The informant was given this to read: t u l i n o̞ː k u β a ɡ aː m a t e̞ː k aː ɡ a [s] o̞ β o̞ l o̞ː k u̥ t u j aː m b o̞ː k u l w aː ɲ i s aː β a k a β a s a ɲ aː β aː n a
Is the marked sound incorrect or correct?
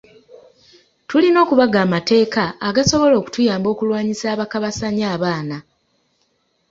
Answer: correct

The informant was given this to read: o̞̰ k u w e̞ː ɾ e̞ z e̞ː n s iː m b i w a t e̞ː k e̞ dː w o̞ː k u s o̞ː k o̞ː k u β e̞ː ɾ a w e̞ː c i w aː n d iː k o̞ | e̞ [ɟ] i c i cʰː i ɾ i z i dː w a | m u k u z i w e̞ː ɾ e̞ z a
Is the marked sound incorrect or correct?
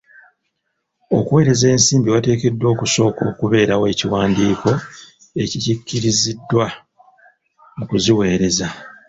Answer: incorrect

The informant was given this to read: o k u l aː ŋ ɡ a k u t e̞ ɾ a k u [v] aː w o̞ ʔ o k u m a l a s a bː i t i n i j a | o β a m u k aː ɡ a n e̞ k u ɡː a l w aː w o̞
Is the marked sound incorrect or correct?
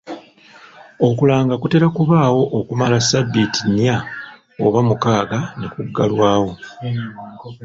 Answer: incorrect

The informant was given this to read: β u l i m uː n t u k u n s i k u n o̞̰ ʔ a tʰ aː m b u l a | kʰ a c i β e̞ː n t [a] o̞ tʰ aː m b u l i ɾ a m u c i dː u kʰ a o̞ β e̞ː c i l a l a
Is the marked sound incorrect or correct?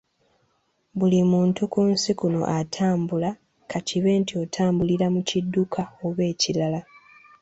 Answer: incorrect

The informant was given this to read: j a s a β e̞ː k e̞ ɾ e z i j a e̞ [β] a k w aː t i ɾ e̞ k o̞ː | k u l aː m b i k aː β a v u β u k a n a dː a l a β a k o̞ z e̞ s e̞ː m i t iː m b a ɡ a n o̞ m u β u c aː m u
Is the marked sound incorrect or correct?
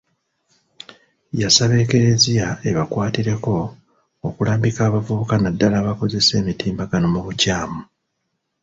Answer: correct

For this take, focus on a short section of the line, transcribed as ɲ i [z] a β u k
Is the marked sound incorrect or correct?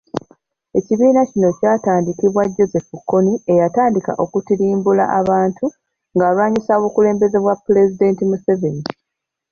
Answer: incorrect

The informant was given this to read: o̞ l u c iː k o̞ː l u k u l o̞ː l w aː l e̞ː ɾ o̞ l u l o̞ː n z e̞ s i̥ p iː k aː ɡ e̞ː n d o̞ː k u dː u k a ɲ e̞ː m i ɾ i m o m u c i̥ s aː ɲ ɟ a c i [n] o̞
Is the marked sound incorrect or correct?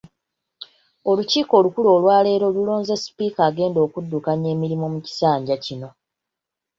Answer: correct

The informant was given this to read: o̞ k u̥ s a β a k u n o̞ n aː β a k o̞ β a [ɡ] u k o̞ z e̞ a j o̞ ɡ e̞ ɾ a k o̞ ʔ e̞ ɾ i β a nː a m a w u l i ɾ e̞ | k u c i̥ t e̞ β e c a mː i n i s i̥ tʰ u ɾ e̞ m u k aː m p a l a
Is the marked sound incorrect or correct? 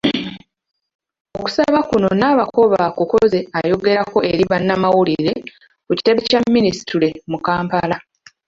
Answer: incorrect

